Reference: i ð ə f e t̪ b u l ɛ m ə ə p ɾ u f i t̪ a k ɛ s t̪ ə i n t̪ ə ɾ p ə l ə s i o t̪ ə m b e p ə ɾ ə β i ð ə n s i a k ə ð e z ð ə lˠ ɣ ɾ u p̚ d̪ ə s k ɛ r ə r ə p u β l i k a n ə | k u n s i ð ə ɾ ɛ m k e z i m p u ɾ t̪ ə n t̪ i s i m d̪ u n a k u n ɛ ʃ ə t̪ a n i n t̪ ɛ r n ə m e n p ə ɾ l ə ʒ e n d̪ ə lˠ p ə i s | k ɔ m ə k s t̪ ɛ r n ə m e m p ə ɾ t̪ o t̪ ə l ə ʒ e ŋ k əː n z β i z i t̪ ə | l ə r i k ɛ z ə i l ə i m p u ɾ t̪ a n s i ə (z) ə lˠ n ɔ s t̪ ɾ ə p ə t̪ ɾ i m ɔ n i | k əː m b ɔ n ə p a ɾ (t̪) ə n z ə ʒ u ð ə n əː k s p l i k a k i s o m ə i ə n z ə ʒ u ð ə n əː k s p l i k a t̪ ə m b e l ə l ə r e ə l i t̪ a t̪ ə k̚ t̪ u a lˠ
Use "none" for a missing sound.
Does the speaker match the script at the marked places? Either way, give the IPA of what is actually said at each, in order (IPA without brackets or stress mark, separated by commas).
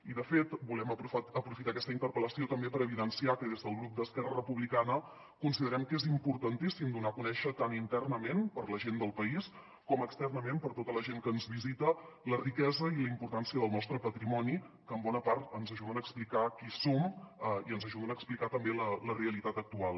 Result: ð, t̪